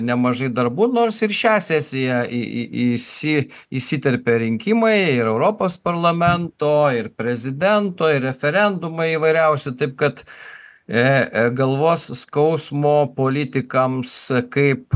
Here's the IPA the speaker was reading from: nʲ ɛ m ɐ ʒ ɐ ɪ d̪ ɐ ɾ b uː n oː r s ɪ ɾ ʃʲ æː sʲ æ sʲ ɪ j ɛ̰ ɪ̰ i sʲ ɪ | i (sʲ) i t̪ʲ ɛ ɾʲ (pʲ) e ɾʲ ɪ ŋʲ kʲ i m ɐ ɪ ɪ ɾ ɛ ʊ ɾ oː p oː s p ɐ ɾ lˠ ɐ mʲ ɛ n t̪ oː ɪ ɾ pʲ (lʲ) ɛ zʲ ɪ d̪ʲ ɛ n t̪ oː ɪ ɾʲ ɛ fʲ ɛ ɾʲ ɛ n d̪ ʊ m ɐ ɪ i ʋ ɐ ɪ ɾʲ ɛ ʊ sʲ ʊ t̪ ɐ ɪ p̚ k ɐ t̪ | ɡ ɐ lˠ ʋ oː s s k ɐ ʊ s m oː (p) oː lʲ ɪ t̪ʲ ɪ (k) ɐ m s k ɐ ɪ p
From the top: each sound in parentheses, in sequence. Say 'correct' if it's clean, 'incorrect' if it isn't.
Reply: correct, correct, incorrect, correct, correct

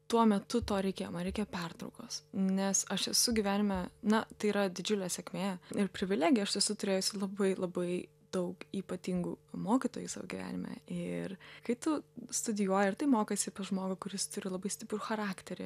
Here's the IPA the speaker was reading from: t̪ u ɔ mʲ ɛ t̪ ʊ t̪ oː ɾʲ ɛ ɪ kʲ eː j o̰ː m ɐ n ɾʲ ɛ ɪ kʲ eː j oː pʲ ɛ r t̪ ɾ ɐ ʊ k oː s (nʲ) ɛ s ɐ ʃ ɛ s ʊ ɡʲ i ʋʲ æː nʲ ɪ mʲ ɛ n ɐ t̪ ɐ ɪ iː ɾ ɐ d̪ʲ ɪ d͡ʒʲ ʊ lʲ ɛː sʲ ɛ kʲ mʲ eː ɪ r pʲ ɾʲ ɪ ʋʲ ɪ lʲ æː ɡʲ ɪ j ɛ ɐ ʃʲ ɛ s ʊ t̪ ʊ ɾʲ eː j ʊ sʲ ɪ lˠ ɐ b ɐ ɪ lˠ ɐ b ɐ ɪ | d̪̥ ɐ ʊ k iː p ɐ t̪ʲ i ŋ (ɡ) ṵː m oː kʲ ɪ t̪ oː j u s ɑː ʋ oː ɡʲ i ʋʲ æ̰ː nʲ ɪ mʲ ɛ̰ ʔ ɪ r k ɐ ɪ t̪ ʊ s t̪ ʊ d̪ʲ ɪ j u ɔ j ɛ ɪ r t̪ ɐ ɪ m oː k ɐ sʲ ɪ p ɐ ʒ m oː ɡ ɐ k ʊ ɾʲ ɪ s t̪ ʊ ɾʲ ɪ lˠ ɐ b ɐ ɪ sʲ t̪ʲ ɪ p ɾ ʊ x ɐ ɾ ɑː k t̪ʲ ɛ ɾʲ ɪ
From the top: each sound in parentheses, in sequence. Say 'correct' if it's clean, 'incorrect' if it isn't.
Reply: correct, correct

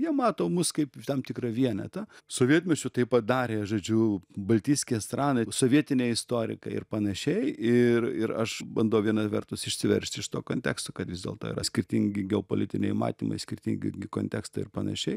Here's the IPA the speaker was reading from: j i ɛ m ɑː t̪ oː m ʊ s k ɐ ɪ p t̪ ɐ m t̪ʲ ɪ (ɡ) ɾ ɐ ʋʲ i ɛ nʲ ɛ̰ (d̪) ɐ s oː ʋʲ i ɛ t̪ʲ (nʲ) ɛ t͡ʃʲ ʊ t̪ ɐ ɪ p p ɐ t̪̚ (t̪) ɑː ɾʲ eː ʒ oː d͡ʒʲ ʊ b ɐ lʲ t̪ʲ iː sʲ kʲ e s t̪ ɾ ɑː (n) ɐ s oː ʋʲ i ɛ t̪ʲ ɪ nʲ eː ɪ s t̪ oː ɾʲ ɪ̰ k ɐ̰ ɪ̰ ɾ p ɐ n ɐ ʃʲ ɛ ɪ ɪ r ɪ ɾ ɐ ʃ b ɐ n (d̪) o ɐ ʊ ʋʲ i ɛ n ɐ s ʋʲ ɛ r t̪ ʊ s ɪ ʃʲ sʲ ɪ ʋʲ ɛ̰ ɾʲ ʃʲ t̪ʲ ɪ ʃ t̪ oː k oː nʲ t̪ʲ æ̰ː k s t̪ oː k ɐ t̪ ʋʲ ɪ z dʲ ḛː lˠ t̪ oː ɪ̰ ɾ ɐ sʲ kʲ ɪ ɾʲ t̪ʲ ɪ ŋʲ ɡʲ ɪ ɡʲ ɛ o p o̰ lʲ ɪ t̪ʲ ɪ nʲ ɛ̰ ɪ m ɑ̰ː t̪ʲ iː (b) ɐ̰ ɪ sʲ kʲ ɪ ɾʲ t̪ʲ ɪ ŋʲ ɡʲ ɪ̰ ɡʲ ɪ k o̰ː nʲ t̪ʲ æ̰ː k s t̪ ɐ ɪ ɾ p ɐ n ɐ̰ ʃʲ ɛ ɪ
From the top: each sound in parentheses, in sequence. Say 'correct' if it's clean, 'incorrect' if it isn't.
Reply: incorrect, incorrect, incorrect, incorrect, correct, correct, incorrect

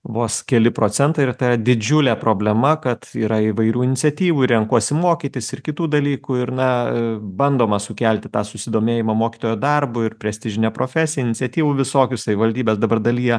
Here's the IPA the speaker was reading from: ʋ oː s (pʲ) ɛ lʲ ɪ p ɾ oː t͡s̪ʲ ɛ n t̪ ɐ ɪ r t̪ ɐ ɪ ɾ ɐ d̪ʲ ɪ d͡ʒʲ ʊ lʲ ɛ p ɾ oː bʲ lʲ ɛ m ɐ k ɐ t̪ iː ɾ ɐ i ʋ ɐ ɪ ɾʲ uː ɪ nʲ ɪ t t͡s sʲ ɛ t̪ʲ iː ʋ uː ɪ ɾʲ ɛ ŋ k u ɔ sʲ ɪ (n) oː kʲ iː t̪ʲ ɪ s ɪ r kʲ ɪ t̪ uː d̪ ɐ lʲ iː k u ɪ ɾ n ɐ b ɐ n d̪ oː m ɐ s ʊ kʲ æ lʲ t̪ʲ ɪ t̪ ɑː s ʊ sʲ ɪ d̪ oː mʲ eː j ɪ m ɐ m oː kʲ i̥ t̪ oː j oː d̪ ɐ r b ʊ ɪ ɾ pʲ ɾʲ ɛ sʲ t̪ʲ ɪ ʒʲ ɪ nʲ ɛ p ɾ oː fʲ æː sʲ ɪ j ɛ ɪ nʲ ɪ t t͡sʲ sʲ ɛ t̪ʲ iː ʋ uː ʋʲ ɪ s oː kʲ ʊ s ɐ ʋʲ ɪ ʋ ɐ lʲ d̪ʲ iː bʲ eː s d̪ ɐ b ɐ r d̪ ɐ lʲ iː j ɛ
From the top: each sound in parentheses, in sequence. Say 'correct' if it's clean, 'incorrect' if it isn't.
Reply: incorrect, incorrect

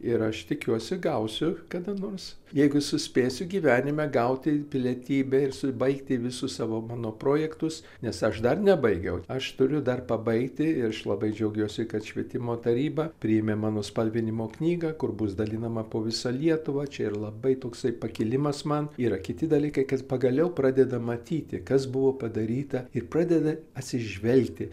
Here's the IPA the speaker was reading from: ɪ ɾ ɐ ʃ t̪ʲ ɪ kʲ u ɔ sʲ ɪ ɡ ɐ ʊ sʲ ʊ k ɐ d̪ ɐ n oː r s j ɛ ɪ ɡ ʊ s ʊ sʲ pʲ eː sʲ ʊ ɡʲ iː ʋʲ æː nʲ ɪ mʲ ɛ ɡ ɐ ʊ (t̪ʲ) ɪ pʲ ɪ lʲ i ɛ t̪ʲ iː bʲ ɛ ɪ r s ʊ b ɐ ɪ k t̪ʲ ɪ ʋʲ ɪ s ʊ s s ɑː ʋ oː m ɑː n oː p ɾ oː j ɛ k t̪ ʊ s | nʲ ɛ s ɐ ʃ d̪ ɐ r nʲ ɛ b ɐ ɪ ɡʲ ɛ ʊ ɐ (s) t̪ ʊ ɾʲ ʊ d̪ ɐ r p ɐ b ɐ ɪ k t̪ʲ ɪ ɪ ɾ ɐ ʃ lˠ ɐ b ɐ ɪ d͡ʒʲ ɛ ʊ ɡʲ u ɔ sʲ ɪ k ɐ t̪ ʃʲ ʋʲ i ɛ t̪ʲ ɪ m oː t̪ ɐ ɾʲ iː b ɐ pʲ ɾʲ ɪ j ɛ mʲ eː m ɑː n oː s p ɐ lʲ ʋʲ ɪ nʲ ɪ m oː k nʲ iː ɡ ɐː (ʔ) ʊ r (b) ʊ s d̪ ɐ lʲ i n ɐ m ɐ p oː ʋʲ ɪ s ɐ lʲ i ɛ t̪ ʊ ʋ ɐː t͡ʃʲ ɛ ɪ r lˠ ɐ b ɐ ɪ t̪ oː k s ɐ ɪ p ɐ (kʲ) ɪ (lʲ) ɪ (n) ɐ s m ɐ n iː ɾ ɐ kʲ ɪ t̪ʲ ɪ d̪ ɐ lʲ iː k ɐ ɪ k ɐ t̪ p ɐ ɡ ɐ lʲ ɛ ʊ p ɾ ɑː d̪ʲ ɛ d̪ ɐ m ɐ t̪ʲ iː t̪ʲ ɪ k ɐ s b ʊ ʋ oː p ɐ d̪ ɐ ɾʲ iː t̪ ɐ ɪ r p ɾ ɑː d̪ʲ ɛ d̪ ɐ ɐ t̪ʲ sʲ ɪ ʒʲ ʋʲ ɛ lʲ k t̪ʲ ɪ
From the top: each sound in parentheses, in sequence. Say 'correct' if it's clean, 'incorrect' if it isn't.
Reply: correct, incorrect, incorrect, correct, correct, correct, incorrect

